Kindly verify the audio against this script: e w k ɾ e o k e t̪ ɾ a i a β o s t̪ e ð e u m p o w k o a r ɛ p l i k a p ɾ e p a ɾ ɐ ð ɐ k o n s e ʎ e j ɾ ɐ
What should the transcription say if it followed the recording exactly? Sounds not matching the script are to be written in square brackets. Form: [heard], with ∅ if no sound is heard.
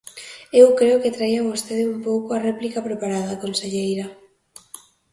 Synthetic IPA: e w k ɾ e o k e t̪ ɾ a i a β o s t̪ e ð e u m p o w k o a r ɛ p l i k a p ɾ e p a ɾ [a] ð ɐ k o n s e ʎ e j ɾ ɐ